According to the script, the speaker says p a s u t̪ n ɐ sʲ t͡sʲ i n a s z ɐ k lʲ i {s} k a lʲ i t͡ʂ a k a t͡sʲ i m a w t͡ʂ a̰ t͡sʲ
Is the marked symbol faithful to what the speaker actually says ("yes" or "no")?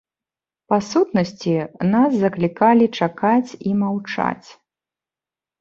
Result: no